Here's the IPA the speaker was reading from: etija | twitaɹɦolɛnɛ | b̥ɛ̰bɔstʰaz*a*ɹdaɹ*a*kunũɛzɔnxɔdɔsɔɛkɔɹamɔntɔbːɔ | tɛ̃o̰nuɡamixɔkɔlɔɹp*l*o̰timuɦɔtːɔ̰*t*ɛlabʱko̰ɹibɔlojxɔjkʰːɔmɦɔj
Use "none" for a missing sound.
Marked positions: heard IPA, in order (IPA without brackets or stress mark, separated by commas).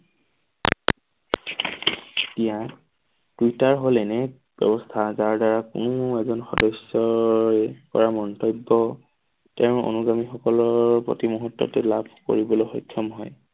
a, a, ɹ, t